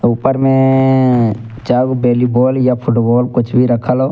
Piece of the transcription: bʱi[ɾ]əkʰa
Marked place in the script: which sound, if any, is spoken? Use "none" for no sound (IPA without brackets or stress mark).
ɾ